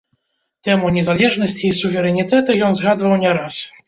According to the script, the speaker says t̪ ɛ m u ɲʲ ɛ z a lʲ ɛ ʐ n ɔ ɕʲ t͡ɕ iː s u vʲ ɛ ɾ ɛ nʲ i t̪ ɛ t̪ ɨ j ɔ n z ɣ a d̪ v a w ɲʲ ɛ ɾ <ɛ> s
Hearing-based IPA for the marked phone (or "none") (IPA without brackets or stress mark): a